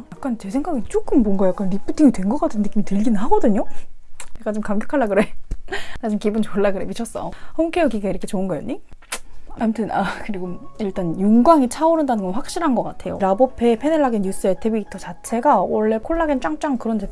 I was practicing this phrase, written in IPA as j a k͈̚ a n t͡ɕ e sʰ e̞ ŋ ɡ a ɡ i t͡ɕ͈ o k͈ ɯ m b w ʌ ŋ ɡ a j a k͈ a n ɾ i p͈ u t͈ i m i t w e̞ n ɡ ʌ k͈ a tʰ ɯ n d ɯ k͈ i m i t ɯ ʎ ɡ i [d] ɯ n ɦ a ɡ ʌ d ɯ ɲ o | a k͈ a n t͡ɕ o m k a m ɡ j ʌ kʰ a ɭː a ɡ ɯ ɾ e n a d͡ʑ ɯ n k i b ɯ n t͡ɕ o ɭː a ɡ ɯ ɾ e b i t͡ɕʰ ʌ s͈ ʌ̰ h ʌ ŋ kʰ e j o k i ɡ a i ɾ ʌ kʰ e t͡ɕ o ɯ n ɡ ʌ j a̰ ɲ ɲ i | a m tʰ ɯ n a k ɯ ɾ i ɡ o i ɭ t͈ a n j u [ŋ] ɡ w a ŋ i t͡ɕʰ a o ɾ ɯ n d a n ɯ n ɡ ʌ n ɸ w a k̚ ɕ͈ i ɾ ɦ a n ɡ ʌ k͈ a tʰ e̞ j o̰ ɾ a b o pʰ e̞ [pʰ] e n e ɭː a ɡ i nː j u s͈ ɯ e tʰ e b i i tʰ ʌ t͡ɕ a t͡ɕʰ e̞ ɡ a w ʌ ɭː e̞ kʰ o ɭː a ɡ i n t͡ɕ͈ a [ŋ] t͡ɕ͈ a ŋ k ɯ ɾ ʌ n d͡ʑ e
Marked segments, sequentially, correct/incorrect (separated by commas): incorrect, correct, correct, correct